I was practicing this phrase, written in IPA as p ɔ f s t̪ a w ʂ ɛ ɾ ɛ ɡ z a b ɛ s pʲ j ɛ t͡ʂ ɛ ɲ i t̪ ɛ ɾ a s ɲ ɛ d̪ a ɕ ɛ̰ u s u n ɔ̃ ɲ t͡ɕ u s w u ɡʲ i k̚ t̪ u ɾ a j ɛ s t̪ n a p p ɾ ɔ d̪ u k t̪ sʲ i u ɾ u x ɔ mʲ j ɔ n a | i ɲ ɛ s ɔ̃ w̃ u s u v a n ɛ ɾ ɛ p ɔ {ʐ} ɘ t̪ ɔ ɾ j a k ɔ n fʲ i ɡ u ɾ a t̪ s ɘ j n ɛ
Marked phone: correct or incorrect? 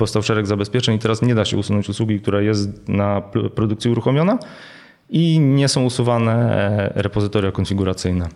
incorrect